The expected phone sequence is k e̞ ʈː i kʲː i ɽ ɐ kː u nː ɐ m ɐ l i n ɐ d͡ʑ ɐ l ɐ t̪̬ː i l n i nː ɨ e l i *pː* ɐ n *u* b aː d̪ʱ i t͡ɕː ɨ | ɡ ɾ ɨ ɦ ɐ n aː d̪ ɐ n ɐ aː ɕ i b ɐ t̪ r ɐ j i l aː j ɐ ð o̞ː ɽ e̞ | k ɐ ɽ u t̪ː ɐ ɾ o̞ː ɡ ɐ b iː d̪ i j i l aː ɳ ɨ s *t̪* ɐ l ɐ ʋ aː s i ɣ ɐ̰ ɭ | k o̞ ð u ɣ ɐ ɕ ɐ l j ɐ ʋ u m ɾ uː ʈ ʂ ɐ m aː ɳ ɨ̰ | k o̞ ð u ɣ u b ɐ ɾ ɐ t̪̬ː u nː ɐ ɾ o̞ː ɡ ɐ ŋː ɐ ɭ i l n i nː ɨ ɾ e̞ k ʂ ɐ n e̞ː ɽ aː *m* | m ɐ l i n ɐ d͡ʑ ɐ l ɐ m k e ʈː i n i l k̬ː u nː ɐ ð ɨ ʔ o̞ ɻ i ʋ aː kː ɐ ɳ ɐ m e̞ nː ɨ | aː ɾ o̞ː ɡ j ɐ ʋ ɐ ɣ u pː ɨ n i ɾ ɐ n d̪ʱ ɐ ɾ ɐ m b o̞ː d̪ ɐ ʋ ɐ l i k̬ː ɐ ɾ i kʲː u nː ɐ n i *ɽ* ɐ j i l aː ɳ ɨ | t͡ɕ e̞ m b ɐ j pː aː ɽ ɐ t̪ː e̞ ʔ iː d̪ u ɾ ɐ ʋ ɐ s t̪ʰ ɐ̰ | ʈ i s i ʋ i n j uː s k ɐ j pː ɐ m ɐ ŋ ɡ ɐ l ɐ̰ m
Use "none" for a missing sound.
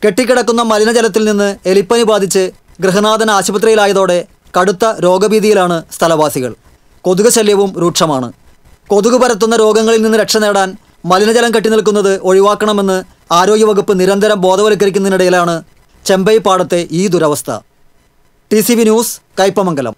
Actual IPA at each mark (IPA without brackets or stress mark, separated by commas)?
pː, u, t̪ʰ, n, ɽ